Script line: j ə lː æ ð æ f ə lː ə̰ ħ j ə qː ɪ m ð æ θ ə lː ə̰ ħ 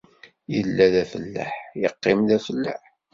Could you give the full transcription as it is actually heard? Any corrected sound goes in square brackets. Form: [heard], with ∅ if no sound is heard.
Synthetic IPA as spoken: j ə lː æ ð æ f ə lː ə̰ ħ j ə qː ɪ m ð æ [f] ə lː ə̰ ħ